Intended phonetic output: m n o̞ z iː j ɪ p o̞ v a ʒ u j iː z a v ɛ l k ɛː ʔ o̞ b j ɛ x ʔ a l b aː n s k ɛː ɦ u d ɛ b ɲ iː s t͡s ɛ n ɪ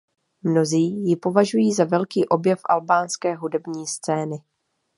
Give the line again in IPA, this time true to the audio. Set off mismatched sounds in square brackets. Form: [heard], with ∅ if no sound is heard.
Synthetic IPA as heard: m n o̞ z iː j ɪ p o̞ v a ʒ u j iː z a v ɛ l k [iː] ʔ o̞ b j ɛ [f] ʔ a l b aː n s k ɛː ɦ u d ɛ b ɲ iː s t͡s [ɛː] n ɪ